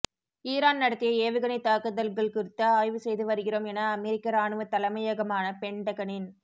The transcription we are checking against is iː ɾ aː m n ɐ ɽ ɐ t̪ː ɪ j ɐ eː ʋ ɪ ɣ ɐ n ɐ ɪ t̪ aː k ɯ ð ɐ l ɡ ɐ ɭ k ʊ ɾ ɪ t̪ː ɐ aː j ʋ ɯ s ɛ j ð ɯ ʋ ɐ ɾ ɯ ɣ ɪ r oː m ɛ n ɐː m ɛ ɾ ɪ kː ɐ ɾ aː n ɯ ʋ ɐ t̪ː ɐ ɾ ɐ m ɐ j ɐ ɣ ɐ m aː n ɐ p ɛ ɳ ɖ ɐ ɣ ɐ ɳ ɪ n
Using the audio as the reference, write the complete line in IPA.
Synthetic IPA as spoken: iː ɾ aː n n ɐ ɽ ɐ t̪ː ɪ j ɐ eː ʋ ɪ ɣ ɐ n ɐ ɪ t̪ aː k ɯ ð ɐ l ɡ ɐ ɭ k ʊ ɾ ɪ t̪ː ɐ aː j ʋ ɯ s ɛ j ð ɯ ʋ ɐ ɾ ɯ ɣ ɪ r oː m ɛ n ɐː m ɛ ɾ ɪ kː ɐ ɾ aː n ɯ ʋ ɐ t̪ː ɐ l ɐ m ɐ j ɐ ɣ ɐ m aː n ɐ p ɛ ɳ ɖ ɐ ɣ ɐ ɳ ɪ n